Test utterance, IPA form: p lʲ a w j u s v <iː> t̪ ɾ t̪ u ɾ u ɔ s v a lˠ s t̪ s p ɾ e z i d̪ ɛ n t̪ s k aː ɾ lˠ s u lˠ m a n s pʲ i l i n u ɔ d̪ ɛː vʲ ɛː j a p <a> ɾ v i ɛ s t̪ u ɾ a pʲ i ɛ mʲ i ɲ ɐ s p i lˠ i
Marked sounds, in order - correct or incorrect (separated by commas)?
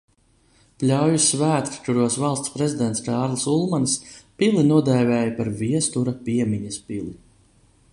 incorrect, correct